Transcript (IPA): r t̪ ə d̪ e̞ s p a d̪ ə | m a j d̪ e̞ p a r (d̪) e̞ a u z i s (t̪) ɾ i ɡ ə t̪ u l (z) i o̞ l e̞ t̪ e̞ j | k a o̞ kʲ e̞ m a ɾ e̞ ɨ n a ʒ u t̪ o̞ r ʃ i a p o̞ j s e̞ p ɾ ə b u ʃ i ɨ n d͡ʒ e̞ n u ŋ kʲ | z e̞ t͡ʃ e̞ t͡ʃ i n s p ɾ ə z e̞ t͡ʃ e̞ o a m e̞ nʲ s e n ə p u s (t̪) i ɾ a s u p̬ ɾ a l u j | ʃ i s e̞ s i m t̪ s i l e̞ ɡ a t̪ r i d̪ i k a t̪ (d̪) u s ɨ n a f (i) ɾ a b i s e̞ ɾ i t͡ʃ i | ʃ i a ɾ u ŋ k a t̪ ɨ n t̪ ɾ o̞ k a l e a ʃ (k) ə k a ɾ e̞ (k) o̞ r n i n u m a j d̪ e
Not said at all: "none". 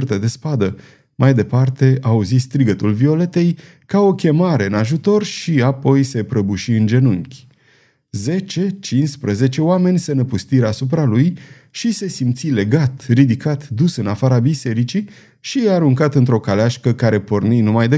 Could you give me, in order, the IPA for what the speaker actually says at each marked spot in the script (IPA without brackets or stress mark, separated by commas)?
t̪, t̪, v, t̪, d̪, a, k, p